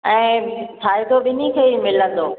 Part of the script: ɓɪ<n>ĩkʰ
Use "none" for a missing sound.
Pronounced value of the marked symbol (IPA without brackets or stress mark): n